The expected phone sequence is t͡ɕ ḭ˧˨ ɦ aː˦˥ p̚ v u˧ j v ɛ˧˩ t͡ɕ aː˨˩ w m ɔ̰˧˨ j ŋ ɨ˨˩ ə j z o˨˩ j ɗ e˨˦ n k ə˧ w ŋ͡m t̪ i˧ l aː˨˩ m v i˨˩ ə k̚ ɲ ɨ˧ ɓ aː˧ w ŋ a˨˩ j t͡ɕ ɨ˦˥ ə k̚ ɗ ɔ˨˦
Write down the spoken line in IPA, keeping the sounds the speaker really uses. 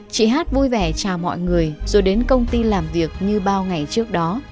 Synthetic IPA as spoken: t͡ɕ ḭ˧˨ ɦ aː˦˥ t̚ v u˧ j v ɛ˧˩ t͡ɕ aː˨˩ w m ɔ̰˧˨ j ŋ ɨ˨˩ ə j z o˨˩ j ɗ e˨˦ n k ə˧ w ŋ͡m t̪ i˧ l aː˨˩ m v i˨˩ ə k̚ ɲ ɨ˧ ɓ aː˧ w ŋ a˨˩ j t͡ɕ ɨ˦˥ ə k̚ ɗ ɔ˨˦